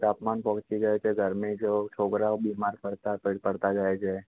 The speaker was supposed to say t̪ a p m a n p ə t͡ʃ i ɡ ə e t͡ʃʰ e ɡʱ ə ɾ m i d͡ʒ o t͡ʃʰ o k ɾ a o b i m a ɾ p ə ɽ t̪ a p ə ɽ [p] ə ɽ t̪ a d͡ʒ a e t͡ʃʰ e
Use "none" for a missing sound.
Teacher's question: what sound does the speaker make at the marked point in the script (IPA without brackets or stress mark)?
p